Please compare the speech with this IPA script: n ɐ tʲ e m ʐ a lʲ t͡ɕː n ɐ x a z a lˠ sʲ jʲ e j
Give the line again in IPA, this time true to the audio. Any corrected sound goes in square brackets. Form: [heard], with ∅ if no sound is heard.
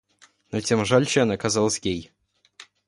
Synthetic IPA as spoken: n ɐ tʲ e m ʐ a lʲ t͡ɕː n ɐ [k] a z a lˠ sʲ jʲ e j